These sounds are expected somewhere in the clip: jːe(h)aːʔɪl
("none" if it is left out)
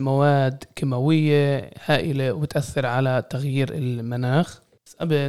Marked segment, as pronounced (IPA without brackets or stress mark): h